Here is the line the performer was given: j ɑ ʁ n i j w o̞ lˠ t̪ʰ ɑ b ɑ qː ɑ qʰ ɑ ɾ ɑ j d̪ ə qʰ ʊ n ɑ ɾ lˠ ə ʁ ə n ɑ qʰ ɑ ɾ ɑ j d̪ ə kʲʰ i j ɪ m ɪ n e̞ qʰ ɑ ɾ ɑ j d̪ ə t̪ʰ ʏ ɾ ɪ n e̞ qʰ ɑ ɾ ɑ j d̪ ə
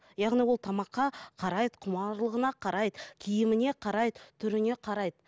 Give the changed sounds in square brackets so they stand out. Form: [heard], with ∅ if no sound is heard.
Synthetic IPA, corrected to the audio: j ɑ ʁ n i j w o̞ lˠ t̪ʰ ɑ [m] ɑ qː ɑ qʰ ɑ ɾ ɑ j d̪ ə qʰ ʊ [m] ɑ ɾ lˠ ə ʁ ə n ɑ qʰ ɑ ɾ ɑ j d̪ ə kʲʰ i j ɪ m ɪ n e̞ qʰ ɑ ɾ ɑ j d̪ ə t̪ʰ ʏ ɾ ɪ n e̞ qʰ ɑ ɾ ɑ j d̪ ə